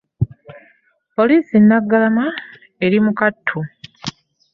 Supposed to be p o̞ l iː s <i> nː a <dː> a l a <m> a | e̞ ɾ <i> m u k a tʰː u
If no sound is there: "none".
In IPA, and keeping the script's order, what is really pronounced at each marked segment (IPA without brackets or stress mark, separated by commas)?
i, ɡː, m, i